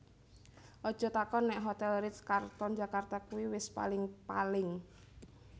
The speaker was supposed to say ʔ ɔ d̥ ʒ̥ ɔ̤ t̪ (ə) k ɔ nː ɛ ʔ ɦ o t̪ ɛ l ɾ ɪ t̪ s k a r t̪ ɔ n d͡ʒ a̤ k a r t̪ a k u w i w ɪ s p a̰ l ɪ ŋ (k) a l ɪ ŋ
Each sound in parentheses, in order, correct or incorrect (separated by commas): incorrect, incorrect